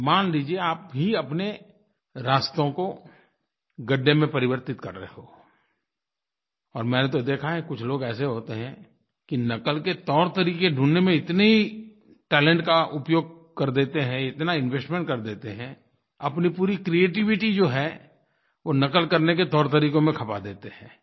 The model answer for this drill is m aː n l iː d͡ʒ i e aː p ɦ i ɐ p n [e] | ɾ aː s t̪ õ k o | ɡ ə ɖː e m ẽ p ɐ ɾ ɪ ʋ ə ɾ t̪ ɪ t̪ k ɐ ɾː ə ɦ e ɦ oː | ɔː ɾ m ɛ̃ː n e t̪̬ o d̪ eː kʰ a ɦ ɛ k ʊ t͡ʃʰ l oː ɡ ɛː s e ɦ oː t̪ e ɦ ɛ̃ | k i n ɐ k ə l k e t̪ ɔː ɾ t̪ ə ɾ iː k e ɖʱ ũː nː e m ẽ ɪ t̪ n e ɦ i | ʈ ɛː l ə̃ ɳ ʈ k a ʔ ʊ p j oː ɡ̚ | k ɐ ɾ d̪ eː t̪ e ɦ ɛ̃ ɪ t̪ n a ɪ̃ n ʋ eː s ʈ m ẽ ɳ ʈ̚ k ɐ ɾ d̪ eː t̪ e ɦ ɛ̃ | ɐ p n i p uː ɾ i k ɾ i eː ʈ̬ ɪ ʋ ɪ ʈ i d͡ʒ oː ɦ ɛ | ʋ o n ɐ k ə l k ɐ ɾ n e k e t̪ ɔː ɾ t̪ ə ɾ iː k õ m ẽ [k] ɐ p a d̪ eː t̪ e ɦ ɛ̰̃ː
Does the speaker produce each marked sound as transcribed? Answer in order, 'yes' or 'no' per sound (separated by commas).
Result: yes, no